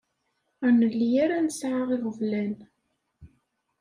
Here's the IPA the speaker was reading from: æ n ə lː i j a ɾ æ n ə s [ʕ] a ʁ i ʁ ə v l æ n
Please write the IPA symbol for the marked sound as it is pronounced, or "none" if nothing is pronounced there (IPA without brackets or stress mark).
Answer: ʕ